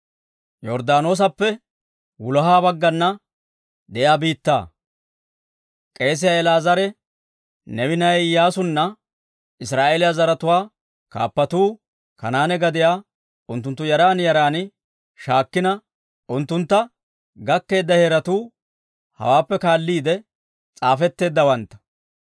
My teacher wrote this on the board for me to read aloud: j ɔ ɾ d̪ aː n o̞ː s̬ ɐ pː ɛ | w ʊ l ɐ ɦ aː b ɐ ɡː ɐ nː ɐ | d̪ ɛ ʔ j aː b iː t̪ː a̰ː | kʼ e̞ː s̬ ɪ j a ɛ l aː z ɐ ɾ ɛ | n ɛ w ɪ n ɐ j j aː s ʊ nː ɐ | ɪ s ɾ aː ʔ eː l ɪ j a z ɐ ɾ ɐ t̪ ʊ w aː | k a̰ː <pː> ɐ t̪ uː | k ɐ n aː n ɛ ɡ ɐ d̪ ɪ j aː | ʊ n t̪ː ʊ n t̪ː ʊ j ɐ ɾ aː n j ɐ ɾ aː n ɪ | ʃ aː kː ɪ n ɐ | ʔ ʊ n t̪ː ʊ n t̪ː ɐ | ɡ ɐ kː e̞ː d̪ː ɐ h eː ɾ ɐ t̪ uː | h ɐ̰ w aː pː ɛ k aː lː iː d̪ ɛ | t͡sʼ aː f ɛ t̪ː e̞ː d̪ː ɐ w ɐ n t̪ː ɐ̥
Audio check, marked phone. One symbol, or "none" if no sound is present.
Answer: pː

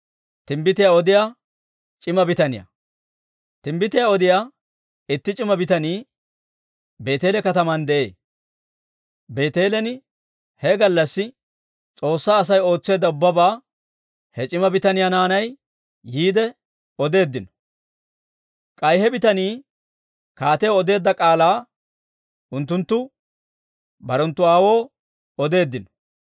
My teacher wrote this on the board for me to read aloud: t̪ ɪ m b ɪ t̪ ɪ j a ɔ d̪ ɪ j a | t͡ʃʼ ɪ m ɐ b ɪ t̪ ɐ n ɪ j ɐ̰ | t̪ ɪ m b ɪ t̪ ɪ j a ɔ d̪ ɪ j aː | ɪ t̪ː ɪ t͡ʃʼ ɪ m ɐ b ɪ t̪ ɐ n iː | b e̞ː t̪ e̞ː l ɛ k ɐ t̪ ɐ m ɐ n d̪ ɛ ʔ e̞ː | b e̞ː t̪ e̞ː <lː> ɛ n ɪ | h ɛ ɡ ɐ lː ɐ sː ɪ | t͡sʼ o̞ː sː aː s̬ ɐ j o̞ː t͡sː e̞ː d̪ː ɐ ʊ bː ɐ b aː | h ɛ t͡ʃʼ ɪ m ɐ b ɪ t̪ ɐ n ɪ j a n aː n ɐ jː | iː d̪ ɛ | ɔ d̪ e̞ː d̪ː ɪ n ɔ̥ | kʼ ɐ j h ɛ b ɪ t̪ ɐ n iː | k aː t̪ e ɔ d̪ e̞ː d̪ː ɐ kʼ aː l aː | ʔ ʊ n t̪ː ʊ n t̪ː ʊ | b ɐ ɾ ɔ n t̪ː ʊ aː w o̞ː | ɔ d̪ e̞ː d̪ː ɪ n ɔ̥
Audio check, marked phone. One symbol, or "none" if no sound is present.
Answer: l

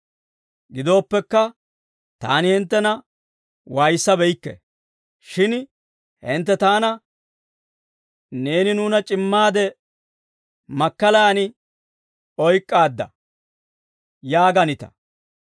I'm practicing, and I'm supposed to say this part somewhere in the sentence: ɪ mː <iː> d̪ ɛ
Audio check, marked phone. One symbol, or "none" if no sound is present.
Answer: aː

